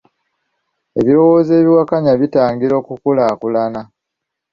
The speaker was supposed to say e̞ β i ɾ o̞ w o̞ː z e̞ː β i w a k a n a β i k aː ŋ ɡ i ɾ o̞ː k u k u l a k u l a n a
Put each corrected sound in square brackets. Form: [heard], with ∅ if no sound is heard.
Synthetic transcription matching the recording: e̞ β i ɾ o̞ w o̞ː z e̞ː β i w a k a [ɲ] a β i [t] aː ŋ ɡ i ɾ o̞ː k u k u l a k u l a n a